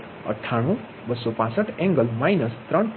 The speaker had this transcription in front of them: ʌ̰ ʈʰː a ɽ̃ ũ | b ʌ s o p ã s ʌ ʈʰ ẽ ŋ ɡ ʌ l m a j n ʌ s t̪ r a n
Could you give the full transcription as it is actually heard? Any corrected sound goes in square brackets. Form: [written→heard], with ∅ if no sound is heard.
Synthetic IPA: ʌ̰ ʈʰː a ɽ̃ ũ | b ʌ s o p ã s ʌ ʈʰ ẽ ŋ ɡ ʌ l m a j n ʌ s t̪ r [a→ʌ] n